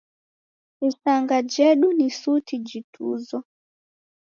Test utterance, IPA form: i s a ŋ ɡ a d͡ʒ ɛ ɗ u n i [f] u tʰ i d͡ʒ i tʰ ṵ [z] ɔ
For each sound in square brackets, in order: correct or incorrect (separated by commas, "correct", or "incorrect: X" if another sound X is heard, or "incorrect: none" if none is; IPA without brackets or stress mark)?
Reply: incorrect: s, correct